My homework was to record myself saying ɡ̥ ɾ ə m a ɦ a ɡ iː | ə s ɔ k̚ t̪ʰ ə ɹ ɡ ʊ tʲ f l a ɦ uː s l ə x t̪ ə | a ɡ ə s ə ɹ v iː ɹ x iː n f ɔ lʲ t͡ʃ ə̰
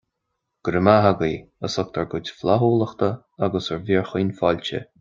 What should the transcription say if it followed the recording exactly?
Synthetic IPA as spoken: ɡ̥ ɾ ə m a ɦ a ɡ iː | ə s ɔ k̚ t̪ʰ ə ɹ ɡ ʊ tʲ f l a ɦ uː l ə x t̪ ə | a ɡ ə s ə ɹ v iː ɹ x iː n f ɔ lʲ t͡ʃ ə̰